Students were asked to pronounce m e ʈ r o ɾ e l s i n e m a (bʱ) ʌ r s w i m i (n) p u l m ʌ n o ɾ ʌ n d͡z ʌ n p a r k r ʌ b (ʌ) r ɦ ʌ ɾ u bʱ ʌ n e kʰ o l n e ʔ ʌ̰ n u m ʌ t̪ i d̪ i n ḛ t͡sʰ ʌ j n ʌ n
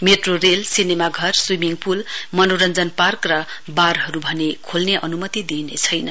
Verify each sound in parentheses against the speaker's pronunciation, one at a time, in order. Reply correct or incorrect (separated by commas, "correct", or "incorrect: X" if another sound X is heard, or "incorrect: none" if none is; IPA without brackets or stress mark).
incorrect: ɡʱ, incorrect: ŋ, incorrect: a